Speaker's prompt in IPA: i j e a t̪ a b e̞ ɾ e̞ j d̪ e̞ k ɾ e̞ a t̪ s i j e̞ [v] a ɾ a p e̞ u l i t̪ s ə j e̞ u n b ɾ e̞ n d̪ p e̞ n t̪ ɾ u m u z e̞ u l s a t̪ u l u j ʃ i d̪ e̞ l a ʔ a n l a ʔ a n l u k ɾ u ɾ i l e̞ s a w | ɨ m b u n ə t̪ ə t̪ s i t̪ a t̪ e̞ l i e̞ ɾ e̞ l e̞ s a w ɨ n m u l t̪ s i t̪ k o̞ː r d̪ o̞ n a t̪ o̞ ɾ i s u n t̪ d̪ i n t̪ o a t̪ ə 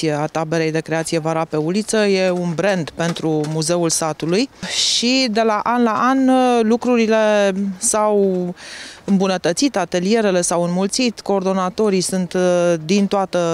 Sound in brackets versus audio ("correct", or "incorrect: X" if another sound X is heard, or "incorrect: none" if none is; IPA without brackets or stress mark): correct